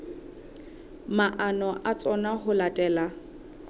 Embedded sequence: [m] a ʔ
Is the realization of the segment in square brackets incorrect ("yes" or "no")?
no